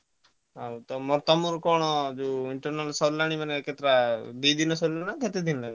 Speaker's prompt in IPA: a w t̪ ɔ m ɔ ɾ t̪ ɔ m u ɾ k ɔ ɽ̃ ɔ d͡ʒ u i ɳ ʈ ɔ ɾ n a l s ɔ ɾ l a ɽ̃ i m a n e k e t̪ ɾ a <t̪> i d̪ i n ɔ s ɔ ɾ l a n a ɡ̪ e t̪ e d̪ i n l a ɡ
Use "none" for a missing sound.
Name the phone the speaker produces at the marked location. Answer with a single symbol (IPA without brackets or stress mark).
d̪